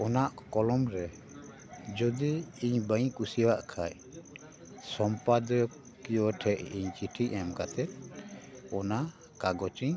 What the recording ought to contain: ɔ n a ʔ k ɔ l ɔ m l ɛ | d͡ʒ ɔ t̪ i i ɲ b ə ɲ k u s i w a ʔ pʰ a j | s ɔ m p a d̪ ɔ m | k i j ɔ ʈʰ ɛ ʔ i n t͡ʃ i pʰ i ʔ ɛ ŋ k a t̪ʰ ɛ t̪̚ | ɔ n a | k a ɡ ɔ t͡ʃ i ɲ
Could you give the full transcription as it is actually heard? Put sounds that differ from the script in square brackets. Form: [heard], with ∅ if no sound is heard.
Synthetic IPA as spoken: ɔ n a ʔ k ɔ l ɔ m [ɾ] ɛ | d͡ʒ ɔ [d̪] i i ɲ b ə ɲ k u s i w a ʔ [kʰ] a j | s ɔ m p a d̪ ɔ [∅] | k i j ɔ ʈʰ ɛ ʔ i [ɲ] t͡ʃ i [ʈʰ] i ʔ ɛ [m] k a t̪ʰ ɛ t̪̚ | ɔ n a | k a ɡ ɔ t͡ʃ i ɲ